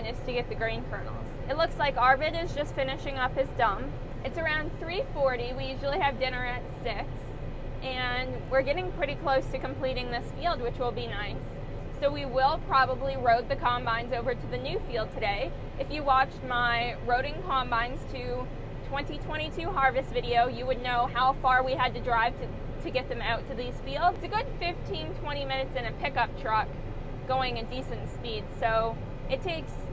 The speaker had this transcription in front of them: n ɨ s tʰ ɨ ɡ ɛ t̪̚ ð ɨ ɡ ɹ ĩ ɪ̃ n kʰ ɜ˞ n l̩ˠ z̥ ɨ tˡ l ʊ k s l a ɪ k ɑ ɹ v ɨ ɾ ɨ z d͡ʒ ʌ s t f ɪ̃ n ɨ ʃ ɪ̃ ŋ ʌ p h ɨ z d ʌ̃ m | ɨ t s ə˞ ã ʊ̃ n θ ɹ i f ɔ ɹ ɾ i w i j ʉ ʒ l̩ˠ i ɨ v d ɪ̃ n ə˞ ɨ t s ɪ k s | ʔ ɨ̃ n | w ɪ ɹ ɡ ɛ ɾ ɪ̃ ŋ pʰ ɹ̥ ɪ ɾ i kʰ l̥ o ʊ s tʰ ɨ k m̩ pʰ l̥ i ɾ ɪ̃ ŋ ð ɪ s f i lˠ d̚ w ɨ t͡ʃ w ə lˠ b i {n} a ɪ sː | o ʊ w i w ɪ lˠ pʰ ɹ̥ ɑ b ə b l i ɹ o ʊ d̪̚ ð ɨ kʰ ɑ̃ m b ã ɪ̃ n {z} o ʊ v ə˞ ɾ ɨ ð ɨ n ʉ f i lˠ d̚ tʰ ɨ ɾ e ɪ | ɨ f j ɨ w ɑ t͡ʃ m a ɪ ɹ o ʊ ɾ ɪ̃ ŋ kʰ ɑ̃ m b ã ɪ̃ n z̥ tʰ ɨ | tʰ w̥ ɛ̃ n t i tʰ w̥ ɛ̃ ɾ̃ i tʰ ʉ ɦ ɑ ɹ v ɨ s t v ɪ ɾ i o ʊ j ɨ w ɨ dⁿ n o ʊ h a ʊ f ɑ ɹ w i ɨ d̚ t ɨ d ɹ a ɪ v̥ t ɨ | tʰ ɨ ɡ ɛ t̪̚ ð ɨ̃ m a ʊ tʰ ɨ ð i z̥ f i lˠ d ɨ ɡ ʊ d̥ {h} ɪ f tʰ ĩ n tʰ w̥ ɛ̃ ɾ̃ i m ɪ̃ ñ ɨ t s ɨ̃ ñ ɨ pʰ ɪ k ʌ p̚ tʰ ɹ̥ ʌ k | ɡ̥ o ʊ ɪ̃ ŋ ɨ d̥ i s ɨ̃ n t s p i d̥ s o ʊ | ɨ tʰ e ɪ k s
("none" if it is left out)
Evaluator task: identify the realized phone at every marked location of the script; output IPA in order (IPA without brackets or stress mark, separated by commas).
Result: n, z, f